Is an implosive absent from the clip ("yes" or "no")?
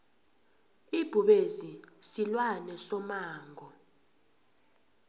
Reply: no